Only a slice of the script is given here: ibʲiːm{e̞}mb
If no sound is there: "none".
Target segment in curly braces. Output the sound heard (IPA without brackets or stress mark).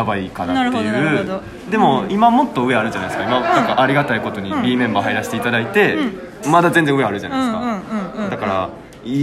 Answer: ẽ̞